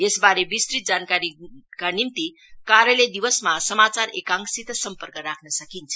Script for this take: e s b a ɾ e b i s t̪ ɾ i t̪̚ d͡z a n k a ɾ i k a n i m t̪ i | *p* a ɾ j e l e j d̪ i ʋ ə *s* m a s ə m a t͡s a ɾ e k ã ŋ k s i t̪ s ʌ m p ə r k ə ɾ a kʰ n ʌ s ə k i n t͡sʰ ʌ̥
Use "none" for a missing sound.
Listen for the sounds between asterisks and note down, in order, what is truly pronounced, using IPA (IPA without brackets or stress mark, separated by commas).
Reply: k, s